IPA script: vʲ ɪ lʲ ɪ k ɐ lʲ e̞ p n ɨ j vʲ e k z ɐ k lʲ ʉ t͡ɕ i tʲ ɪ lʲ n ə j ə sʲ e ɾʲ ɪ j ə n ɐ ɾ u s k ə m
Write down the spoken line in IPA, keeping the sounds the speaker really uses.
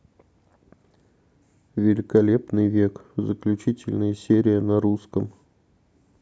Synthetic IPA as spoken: vʲ ɪ lʲ ɪ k ɐ lʲ e̞ p n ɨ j vʲ e k z ə k lʲ ʉ t͡ɕ i tʲ ɪ lʲ n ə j ə sʲ e ɾʲ ɪ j ə n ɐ ɾ u s k ə m